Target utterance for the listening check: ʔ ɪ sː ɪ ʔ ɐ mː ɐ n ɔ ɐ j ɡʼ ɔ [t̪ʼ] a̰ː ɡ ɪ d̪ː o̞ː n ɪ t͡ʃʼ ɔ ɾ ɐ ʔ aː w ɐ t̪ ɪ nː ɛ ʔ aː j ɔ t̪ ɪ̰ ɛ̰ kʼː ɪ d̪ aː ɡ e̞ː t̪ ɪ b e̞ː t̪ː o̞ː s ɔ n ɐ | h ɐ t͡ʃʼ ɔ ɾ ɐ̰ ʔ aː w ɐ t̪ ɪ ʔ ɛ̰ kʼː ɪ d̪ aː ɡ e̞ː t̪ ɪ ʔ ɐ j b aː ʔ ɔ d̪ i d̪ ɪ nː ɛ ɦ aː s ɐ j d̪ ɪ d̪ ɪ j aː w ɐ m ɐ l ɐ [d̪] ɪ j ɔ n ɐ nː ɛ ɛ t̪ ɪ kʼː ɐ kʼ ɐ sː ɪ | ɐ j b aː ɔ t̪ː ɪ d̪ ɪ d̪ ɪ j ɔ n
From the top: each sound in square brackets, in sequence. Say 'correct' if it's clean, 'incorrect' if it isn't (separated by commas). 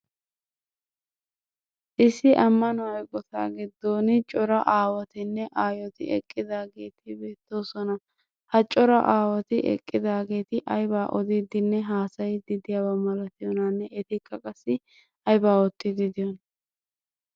incorrect, incorrect